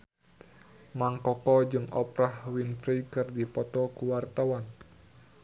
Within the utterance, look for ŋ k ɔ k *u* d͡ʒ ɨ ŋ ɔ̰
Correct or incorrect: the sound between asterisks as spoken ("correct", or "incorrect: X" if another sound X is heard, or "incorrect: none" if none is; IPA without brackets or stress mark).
incorrect: ɔ